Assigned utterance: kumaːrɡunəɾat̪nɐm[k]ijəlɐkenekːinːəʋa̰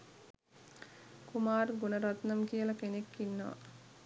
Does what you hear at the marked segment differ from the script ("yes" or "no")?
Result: no